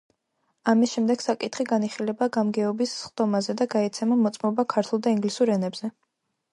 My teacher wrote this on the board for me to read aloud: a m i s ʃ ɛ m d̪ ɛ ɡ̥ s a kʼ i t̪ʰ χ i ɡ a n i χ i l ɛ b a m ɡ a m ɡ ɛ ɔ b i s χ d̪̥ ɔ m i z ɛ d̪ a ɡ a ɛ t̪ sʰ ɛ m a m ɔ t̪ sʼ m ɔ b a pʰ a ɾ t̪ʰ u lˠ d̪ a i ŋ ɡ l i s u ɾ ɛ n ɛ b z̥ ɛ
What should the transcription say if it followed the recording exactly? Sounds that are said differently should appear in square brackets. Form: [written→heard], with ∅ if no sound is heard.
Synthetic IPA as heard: a m i s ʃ ɛ m d̪ ɛ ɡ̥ s a kʼ i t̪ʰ χ i ɡ a n i χ i l ɛ b a [m→∅] ɡ a m ɡ ɛ ɔ b i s χ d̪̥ ɔ m [i→a] z ɛ d̪ a ɡ a ɛ t̪ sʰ ɛ m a m ɔ t̪ sʼ m ɔ b a [pʰ→kʰ] a ɾ t̪ʰ u lˠ d̪ a i ŋ ɡ l i s u ɾ ɛ n ɛ b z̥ ɛ